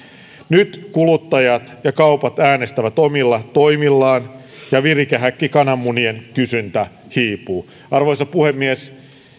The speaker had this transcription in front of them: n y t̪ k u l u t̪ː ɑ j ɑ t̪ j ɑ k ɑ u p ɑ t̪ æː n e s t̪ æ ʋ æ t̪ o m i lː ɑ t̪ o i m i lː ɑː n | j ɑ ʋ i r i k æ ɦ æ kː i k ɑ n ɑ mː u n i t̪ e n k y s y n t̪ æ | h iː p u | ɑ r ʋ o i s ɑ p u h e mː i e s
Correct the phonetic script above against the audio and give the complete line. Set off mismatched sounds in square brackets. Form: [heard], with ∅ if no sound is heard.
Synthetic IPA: n y t̪ k u l u t̪ː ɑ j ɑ t̪ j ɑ k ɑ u p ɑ t̪ æː n e s t̪ æ ʋ æ t̪ o m i lː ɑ t̪ o i m i lː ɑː n | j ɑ ʋ i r i k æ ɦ æ kː i k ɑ n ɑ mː u n i [∅] e n k y s y n t̪ æ | h iː p [uː] | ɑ r ʋ o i s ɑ p u h e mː i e s